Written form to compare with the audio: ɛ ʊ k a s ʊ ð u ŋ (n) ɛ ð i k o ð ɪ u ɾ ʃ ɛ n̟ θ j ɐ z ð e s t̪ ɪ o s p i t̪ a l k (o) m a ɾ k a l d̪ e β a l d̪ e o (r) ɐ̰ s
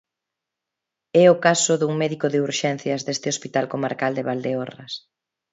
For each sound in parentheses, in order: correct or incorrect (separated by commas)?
incorrect, correct, correct